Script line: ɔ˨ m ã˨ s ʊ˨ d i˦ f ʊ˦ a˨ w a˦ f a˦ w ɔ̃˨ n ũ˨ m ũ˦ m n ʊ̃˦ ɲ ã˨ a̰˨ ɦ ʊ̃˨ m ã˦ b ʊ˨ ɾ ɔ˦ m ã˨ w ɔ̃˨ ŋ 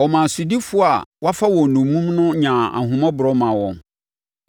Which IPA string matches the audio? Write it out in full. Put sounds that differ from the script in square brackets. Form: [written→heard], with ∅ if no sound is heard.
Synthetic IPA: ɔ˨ m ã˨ s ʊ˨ d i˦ f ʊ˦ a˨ w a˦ f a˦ w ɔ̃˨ n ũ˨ m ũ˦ m n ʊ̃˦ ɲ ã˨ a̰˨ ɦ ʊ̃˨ m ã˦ b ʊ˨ ɾ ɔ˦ m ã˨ w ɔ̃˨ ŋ